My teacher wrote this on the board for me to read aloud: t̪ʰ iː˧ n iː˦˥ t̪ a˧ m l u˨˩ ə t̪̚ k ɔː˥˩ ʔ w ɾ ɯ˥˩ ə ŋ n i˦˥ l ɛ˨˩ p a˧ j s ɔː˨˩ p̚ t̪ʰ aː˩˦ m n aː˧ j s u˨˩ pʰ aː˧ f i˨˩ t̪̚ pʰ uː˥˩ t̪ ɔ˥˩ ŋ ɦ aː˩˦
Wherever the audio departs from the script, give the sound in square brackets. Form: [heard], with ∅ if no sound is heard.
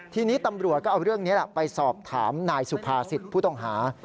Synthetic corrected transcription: t̪ʰ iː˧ n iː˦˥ t̪ a˧ m [ɾ] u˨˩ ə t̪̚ k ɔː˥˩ ʔ w ɾ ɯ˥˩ ə ŋ n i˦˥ l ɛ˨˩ p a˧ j s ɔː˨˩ p̚ t̪ʰ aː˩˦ m n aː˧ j s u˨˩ pʰ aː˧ [s] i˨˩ t̪̚ pʰ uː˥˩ t̪ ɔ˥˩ ŋ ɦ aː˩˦